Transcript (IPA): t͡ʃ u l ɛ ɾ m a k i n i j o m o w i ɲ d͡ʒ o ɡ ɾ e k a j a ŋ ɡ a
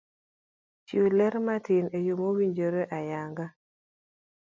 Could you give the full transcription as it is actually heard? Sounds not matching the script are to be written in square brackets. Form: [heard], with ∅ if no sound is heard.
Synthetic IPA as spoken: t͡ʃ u l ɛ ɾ m a [t] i n [e] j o m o w i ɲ d͡ʒ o [∅] ɾ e [ʔ] a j a ŋ ɡ a